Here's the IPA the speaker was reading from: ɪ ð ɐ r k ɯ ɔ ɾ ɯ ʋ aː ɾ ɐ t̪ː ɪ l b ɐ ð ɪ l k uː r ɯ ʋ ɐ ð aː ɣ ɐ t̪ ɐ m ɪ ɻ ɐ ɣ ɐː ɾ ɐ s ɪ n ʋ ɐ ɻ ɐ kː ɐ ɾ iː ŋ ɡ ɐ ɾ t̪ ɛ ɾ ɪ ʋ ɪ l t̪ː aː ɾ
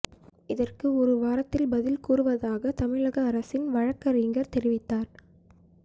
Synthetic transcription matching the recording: ɪ ð ɐ r k ɯ ɔ ɾ ɯ ʋ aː ɾ ɐ t̪ː ɪ l b ɐ ð ɪ l k uː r ɯ ʋ ɐ ð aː ɣ ɐ t̪ ɐ m ɪ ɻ ɐ ɣ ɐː ɾ ɐ s ɪ n ʋ ɐ ɻ ɐ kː ɐ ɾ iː ŋ ɡ ɐ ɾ t̪ ɛ ɾ ɪ ʋ ɪ t̪ː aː ɾ